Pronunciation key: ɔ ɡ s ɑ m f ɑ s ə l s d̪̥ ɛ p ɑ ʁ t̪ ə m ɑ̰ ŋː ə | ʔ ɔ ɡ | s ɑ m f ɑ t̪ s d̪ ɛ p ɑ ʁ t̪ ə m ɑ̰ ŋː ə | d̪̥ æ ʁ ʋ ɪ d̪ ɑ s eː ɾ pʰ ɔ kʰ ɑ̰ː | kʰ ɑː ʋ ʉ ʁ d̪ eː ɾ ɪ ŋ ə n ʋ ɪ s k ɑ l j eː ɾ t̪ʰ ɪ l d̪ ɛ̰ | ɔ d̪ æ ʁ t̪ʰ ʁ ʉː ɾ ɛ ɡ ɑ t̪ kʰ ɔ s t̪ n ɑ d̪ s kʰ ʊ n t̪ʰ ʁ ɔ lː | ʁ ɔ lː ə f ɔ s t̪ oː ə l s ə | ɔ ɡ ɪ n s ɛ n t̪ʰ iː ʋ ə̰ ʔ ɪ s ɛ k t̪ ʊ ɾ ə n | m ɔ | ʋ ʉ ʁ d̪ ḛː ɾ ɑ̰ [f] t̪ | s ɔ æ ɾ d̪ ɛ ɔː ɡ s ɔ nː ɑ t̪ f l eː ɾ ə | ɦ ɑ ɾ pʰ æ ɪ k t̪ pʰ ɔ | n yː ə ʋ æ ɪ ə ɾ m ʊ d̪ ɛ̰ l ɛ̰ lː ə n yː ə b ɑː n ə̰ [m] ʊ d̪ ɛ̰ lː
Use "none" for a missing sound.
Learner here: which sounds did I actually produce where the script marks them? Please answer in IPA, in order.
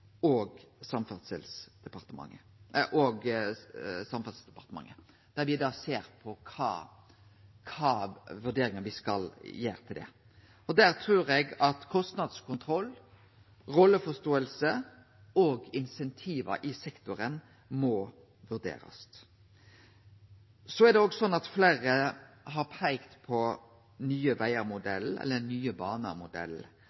s, m

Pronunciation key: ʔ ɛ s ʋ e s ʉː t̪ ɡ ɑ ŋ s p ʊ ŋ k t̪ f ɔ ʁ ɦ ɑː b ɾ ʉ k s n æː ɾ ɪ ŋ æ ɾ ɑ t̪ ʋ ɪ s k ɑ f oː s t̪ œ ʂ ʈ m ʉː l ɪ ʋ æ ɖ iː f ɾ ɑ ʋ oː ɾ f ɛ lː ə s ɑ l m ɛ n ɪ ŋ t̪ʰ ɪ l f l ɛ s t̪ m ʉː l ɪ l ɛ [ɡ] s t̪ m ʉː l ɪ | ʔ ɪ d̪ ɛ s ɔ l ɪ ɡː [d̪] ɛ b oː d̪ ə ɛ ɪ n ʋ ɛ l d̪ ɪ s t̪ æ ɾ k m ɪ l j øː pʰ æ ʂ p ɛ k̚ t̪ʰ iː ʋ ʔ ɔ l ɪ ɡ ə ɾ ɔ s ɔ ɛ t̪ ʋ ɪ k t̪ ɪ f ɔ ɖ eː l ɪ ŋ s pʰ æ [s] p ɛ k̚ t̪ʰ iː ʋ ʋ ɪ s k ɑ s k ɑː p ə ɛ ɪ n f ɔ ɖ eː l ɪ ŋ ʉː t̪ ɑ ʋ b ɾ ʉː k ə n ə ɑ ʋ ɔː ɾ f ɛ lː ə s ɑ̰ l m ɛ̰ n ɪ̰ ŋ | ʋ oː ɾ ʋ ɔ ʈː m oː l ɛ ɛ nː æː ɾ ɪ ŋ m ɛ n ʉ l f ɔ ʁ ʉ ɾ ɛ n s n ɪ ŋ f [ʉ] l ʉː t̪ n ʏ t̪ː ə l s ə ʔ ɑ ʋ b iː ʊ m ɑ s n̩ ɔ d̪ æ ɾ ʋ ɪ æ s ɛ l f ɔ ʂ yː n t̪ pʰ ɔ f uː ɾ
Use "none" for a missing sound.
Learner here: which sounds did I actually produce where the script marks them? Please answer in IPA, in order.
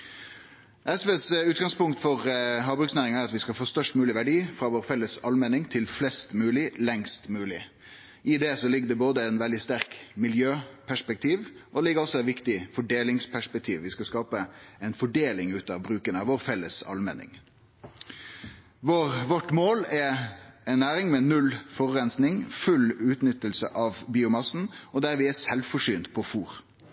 ŋ, d̪, ʂ, ʉ

